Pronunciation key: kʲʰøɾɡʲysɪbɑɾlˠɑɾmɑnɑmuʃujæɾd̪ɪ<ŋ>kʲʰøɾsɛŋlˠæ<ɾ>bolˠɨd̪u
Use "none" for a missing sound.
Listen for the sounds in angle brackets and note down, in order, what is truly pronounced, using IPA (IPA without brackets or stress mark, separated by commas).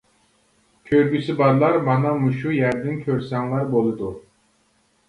n, ɾ